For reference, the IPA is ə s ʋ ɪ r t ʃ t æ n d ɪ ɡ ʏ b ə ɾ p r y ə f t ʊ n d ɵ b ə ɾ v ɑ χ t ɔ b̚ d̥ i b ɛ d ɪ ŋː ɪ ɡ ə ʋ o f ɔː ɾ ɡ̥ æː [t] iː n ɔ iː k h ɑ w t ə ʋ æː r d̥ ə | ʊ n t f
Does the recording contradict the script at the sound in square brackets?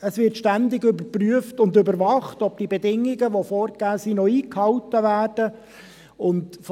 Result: yes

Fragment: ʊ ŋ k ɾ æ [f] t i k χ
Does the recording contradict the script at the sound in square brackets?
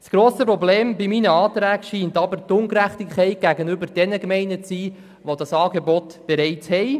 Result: yes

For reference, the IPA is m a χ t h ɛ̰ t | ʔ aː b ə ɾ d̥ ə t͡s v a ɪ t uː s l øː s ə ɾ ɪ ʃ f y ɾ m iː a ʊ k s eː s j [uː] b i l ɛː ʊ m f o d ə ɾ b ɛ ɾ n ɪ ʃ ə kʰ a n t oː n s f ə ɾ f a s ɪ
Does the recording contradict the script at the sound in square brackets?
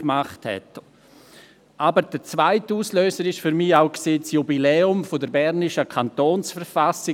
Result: yes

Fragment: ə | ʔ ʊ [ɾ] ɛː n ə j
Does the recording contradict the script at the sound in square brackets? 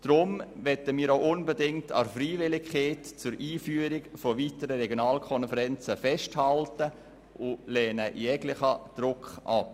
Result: yes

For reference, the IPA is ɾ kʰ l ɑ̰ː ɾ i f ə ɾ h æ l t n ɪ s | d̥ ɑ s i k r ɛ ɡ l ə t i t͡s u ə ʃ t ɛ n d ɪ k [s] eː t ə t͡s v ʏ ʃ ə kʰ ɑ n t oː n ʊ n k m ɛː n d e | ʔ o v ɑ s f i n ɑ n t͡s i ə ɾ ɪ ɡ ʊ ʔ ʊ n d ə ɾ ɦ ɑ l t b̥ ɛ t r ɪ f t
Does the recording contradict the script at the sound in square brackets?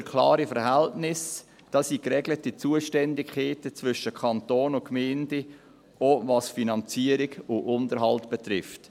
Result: yes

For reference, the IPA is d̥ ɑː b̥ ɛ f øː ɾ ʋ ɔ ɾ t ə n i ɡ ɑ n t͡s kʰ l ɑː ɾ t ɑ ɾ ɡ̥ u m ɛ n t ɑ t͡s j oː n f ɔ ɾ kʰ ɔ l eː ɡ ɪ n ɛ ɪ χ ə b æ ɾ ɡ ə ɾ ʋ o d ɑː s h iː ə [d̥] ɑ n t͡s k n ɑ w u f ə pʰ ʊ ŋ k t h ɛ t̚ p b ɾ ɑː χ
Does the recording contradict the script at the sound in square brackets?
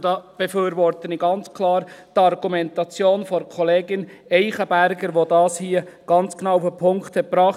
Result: yes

